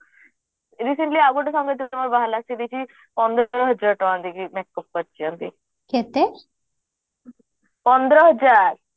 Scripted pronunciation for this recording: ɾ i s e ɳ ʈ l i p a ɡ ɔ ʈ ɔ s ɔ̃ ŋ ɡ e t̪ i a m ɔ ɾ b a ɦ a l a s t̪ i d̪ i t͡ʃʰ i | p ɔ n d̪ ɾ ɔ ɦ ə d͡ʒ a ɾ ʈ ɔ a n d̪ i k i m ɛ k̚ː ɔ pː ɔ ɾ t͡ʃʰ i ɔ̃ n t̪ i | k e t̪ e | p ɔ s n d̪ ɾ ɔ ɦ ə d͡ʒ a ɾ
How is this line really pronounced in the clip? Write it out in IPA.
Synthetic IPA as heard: ɾ i s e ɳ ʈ l i a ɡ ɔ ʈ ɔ s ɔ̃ ŋ ɡ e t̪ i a m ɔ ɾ b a ɦ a l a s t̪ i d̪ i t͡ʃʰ i | p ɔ n d̪ ɾ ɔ ɦ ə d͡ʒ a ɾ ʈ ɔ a n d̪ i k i m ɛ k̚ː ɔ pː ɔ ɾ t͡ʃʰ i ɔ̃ n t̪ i | k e t̪ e | p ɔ n d̪ ɾ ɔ ɦ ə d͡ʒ a ɾ